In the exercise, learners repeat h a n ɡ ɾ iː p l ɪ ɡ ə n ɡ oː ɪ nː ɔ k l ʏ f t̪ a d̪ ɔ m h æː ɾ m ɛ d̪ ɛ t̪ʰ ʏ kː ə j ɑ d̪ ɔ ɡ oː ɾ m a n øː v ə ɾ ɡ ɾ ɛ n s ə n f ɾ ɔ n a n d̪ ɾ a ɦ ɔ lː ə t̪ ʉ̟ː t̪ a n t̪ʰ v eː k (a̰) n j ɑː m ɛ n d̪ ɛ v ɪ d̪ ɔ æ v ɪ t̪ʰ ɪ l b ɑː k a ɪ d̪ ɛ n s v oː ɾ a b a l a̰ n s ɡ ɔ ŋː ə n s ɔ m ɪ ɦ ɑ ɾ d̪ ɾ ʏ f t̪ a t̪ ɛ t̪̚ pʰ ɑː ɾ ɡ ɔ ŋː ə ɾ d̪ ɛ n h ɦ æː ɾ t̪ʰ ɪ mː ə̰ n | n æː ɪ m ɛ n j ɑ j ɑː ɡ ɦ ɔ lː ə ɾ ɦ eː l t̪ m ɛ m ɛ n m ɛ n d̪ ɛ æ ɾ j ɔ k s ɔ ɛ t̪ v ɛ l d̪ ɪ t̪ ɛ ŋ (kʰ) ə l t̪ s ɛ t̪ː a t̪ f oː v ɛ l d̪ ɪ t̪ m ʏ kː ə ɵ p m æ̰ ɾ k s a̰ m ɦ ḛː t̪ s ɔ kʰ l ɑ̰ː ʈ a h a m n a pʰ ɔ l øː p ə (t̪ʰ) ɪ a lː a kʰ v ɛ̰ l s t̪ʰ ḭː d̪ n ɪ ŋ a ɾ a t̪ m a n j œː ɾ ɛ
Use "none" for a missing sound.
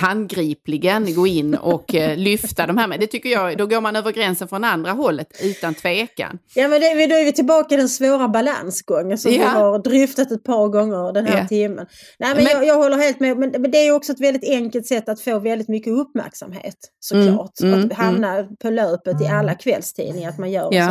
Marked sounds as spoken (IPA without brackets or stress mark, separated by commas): a̰, k, t̪